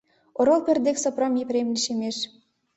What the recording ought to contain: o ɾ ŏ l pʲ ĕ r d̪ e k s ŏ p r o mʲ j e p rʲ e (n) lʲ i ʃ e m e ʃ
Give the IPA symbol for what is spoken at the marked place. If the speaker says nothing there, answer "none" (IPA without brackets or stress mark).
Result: m